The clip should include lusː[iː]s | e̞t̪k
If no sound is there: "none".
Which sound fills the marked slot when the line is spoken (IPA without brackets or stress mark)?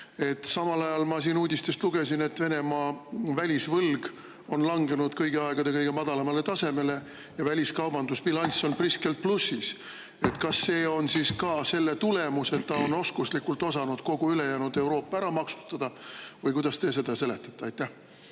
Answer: i